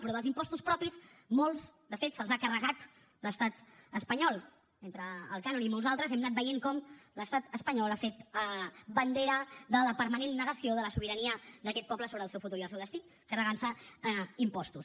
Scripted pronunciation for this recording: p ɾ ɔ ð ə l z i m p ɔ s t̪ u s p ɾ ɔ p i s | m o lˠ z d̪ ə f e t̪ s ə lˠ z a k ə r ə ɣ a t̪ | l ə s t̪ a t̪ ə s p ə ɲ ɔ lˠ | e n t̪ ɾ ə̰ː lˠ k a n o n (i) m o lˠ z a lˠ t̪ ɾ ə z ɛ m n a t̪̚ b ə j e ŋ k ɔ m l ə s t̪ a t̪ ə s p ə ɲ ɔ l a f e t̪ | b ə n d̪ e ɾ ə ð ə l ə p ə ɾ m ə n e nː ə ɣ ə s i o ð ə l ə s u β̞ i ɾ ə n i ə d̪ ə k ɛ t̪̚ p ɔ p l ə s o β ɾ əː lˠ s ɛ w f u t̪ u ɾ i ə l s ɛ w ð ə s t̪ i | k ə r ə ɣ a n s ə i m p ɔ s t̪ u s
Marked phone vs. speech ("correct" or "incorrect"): correct